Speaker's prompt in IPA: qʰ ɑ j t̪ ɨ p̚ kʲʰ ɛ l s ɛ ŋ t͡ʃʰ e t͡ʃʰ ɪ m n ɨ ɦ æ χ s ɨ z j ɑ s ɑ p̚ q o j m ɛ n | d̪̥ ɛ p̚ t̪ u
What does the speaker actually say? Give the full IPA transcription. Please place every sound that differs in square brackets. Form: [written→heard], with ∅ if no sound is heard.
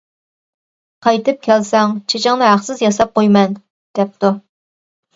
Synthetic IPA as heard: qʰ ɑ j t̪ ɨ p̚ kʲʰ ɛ l s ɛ ŋ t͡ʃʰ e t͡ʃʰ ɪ [m→ŋ] n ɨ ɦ æ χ s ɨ z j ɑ s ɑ p̚ q o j m ɛ n | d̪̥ ɛ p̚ t̪ u

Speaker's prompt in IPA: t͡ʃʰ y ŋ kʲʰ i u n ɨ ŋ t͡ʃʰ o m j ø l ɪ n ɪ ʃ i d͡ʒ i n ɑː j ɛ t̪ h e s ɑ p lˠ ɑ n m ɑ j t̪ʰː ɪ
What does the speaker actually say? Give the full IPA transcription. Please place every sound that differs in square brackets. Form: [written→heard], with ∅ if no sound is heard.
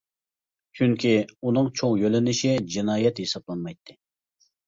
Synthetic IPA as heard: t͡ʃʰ y ŋ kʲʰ i u n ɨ ŋ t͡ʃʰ o [m→ŋ] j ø l ɪ n ɪ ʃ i d͡ʒ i n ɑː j ɛ t̪ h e s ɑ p lˠ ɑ n m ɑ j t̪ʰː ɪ

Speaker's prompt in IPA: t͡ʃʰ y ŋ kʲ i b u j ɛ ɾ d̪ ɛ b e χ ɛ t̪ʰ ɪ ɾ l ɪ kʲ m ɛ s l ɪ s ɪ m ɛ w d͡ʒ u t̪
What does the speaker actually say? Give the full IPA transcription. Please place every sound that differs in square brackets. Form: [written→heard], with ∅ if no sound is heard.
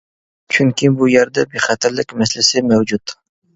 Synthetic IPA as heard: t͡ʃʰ y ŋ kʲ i b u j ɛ ɾ d̪ ɛ b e χ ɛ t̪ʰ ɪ ɾ l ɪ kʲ m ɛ s l ɪ s ɪ m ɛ w d͡ʒ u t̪

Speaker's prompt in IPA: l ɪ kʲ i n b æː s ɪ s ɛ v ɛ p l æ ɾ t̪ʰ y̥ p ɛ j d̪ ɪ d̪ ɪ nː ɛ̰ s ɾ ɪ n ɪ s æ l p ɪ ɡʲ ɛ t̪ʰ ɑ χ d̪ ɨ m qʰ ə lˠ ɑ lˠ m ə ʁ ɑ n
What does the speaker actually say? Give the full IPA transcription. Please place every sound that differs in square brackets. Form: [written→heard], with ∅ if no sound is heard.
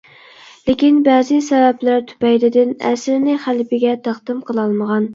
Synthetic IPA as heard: l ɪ kʲ i n b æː [s→z] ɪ s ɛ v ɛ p l æ ɾ t̪ʰ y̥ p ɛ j d̪ ɪ d̪ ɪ [nː→n] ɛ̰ s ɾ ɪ n ɪ [s→χ] æ l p ɪ ɡʲ ɛ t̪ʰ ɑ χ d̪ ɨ m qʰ ə lˠ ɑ lˠ m ə ʁ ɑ n

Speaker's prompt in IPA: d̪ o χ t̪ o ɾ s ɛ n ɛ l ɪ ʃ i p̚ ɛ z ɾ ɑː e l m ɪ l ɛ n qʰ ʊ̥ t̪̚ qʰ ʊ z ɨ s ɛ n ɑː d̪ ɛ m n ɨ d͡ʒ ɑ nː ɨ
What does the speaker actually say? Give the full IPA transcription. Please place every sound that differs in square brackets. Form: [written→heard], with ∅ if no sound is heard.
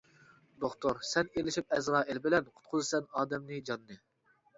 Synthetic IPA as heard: d̪ o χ t̪ o ɾ s ɛ n [ɛ→e] l ɪ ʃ i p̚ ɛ z ɾ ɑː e l [m→b] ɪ l ɛ n qʰ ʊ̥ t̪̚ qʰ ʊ z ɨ s ɛ n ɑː d̪ ɛ m n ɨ d͡ʒ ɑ nː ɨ

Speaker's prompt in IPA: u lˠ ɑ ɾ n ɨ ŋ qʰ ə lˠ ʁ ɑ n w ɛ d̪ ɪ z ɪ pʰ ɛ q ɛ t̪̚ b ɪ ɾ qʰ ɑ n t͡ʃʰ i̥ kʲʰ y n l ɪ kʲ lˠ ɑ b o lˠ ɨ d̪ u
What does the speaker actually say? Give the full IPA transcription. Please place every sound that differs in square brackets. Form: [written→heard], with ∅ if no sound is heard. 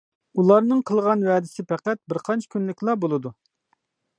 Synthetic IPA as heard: u lˠ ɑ ɾ n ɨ ŋ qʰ ə lˠ ʁ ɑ n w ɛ d̪ ɪ [z→s] ɪ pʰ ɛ q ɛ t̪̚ b ɪ ɾ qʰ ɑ n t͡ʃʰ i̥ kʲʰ y n l ɪ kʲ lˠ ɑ b o lˠ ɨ d̪ u

